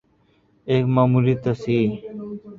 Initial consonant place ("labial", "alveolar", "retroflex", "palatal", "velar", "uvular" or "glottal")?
velar